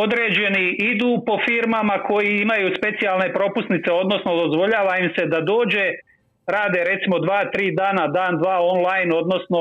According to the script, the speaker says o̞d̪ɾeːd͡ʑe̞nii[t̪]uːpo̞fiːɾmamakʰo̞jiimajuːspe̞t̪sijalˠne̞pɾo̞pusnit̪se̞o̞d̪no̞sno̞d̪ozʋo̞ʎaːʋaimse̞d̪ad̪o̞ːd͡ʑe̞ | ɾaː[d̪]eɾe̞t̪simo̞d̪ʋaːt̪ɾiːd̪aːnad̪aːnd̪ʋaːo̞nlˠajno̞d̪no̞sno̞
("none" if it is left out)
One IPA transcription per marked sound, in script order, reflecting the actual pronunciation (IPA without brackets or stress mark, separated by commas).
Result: d̪, d̪